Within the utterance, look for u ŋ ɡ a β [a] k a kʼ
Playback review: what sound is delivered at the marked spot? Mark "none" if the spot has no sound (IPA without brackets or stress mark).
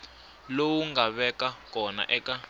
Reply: ɛ